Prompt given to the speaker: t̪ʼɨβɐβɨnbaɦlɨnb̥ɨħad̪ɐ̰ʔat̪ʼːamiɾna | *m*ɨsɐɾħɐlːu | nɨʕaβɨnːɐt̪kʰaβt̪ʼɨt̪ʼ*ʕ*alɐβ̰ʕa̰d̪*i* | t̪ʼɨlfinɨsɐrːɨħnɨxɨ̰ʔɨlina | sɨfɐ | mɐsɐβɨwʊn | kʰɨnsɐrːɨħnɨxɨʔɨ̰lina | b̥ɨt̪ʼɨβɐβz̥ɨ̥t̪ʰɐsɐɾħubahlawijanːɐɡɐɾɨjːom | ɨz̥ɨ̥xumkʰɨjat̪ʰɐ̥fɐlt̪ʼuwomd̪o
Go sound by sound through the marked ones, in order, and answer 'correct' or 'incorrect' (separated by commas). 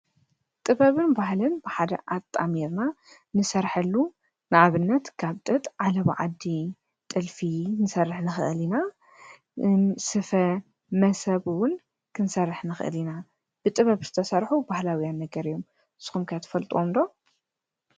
incorrect, correct, correct